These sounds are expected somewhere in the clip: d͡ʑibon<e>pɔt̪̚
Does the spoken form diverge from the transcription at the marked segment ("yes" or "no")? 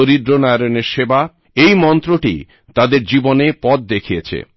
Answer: no